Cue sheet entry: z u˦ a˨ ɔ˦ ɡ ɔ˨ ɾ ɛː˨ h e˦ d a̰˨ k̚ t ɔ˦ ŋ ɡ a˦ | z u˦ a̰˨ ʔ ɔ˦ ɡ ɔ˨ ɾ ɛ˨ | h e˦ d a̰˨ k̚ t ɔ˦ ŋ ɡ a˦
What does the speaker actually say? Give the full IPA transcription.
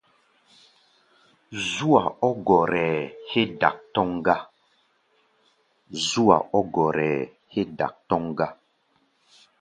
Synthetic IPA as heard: z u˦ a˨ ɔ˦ ɡ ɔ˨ ɾ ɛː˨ h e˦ d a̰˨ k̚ t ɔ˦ ŋ ɡ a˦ | z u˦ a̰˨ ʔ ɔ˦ ɡ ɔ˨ ɾ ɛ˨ | h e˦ d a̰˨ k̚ t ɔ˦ ŋ ɡ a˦